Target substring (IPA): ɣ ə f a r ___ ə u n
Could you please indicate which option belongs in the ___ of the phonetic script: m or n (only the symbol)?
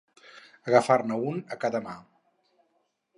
n